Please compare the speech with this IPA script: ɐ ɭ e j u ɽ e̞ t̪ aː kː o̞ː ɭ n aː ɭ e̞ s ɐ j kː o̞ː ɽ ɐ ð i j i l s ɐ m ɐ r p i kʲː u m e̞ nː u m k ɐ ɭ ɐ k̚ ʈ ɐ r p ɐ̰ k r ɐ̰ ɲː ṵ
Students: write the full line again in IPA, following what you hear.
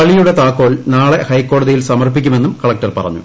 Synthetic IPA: ɐ ɭ i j u ɽ e̞ t̪ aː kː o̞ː ɭ n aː ɭ e̞ h ɐ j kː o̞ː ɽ ɐ ð i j i l s ɐ m ɐ r p i kʲː u m e̞ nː u m k ɐ ɭ ɐ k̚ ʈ ɐ r p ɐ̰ r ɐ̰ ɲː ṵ